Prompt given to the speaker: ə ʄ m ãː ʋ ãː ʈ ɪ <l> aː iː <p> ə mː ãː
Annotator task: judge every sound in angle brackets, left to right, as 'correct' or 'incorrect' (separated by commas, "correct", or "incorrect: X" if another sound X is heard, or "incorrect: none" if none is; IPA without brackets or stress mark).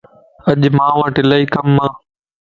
correct, incorrect: k